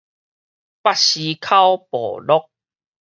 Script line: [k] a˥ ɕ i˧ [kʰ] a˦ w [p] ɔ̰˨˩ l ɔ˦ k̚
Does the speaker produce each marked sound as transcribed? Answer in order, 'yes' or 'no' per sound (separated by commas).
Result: no, yes, yes